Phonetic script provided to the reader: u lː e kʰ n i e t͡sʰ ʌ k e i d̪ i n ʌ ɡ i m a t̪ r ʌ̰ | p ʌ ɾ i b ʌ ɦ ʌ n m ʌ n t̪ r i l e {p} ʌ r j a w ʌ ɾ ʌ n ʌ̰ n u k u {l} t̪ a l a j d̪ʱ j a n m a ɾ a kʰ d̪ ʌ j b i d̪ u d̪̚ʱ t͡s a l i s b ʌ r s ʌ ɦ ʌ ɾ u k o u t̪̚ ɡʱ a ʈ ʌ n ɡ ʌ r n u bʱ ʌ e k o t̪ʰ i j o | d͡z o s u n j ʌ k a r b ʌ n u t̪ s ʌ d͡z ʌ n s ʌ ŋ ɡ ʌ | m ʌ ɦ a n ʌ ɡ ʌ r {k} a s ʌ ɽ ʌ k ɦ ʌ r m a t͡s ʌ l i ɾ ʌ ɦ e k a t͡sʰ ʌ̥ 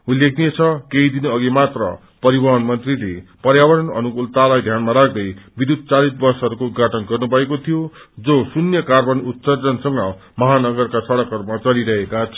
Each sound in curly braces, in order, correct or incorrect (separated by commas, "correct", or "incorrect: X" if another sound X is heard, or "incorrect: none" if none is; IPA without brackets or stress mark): correct, correct, correct